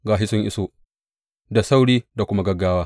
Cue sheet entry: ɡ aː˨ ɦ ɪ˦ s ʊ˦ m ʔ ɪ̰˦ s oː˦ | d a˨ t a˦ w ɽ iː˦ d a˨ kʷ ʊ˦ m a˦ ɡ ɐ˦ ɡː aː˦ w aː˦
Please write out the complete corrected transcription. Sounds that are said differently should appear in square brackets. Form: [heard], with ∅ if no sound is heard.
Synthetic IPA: ɡ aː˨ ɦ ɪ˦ s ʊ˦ [ŋ] ʔ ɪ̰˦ s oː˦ | d a˨ [s] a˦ w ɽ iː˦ d a˨ kʷ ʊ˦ m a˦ ɡ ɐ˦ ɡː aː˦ w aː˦